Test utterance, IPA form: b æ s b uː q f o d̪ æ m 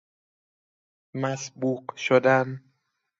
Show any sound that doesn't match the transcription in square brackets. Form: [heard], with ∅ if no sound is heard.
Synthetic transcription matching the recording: [m] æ s b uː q [ʃ] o d̪ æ [n]